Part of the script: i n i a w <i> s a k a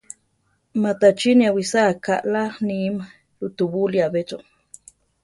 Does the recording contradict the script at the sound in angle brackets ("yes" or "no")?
no